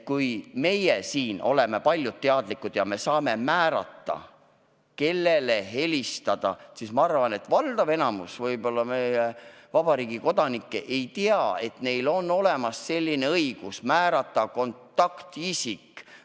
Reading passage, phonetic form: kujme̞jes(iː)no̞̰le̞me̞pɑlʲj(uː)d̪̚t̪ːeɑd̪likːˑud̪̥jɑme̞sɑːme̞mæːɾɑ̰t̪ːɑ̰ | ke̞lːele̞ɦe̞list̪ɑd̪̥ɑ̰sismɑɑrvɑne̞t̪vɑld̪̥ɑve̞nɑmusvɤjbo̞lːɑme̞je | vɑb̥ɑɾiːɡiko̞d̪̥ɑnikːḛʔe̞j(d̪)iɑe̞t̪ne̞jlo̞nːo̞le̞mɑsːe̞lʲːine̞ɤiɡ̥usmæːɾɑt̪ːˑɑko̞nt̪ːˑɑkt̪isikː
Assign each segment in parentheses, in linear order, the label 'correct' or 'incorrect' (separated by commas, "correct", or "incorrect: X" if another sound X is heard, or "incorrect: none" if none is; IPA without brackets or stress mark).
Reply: correct, incorrect: u, incorrect: t̪